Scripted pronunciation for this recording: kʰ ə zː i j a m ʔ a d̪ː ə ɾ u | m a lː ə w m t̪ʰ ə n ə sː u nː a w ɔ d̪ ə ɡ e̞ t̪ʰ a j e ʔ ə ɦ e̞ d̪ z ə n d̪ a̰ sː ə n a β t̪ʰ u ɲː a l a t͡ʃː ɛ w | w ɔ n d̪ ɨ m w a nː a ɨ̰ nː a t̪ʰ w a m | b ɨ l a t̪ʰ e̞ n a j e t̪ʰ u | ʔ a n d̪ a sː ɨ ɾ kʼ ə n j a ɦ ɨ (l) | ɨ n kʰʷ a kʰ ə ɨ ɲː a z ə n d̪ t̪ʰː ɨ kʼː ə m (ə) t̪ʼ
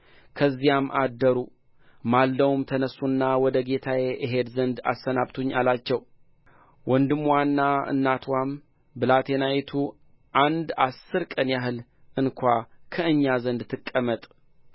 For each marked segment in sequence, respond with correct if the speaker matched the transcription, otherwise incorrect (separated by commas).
correct, correct